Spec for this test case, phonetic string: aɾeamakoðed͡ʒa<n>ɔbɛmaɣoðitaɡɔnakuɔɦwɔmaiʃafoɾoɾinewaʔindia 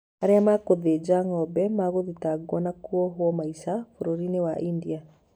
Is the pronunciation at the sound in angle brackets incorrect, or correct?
incorrect